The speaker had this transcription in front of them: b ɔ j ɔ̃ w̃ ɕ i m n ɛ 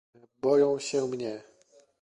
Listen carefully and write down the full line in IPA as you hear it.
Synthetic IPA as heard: b ɔ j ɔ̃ w̃ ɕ ɛ m ɲ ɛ